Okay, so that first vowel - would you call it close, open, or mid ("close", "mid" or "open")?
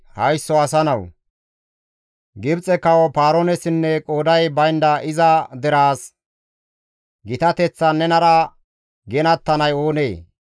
open